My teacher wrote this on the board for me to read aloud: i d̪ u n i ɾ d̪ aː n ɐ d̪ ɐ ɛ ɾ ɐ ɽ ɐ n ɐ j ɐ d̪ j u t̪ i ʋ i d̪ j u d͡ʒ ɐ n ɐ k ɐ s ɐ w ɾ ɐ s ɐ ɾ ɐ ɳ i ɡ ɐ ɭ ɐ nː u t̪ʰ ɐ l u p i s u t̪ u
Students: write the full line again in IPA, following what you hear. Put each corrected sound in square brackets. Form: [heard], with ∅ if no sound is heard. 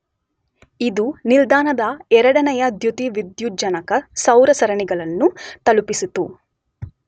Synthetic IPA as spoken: i d̪ u n i [l] d̪ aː n ɐ d̪ ɐ ɛ ɾ ɐ ɽ ɐ n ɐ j ɐ d̪ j u t̪ i ʋ i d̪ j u d͡ʒ ɐ n ɐ k ɐ s ɐ w ɾ ɐ s ɐ ɾ ɐ ɳ i ɡ ɐ ɭ ɐ nː u [t̪] ɐ l u p i s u t̪ u